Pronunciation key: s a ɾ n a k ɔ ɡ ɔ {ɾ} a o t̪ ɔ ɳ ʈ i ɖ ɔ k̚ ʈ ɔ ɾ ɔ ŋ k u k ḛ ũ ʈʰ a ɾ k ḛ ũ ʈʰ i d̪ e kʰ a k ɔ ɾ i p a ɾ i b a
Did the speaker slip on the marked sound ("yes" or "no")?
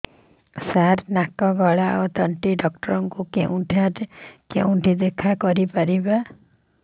yes